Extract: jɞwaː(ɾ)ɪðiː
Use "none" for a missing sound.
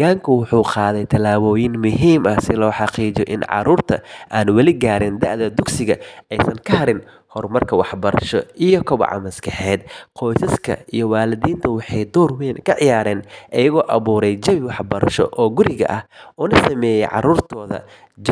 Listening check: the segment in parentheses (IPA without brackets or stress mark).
l